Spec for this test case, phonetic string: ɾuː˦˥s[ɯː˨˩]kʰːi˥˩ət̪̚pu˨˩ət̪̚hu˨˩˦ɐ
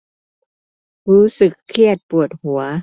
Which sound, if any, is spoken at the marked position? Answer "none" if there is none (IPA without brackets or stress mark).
ɯ˨˩